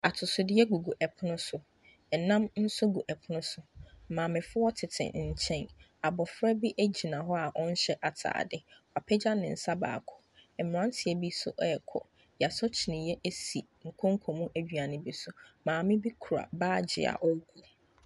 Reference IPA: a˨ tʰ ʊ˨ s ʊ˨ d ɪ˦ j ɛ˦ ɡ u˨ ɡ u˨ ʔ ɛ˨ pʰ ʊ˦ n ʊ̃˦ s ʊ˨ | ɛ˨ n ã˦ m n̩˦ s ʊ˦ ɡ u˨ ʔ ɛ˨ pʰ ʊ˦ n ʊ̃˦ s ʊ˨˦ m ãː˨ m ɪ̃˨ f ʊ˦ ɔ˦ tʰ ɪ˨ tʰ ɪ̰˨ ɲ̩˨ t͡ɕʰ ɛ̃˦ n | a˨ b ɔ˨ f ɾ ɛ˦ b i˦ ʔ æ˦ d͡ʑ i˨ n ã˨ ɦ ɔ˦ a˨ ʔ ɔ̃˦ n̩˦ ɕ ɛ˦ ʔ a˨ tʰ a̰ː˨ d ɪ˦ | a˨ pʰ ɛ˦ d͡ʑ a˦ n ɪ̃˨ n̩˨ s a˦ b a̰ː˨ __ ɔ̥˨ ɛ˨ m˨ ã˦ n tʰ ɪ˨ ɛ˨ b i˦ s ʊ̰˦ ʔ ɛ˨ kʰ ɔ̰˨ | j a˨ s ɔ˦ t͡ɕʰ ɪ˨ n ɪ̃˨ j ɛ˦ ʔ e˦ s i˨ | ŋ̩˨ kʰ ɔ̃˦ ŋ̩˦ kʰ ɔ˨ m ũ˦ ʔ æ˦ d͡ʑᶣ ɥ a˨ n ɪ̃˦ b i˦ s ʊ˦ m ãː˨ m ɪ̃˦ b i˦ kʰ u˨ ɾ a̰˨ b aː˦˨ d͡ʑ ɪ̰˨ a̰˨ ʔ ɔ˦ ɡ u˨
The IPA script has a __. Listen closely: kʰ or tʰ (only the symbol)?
kʰ